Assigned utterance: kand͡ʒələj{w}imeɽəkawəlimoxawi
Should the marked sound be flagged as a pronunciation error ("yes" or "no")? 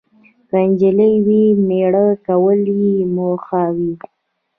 no